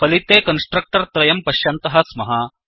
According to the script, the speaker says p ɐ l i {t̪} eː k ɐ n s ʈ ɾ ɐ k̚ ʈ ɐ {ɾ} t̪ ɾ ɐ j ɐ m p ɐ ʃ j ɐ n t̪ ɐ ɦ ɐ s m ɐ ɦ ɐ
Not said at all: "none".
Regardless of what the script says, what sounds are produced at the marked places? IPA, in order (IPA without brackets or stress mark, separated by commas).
t̪, ɾ